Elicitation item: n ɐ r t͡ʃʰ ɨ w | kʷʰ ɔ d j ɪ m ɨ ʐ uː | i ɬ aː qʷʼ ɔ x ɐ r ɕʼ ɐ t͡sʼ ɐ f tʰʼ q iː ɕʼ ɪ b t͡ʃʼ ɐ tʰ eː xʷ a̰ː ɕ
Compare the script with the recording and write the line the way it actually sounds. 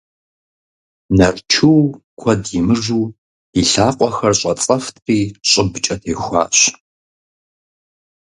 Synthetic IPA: n ɐ r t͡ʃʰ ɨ w | kʷʰ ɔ d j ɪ m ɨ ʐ uː | i ɬ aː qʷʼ ɔ x ɐ r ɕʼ ɐ t͡sʼ ɐ f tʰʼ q iː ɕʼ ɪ b t͡ʃʼ ɐ tʰ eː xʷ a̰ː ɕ

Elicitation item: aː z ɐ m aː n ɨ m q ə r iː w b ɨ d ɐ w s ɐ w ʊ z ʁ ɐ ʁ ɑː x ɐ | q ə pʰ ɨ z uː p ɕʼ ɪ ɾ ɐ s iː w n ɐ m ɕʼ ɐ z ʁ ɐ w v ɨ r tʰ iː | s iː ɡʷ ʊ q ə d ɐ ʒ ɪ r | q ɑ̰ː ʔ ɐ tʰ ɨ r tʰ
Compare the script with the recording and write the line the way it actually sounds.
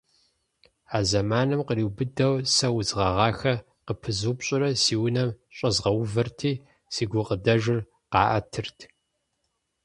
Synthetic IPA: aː z ɐ m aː n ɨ m q ə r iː w b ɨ d ɐ w s ɐ w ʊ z ʁ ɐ ʁ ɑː x ɐ | q ə pʰ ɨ z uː p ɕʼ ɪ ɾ ɐ s iː w n ɐ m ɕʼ ɐ z ʁ ɐ w v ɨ r tʰ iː | s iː ɡʷ ʊ q ə d ɐ ʒ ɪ r | q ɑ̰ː ʔ ɐ tʰ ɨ r tʰ

